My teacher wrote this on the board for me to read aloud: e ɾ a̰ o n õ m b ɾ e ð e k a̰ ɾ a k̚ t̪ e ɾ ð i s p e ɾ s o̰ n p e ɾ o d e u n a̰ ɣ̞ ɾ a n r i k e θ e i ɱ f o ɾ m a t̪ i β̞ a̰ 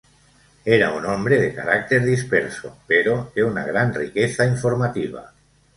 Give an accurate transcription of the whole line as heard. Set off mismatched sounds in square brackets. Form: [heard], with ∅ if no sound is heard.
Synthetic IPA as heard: e ɾ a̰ [u] n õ m b ɾ e ð e k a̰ ɾ a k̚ t̪ e ɾ ð i s p e ɾ s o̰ [∅] p e ɾ o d e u n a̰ ɣ̞ ɾ a n r i k e θ [a] i ɱ f o ɾ m a t̪ i β̞ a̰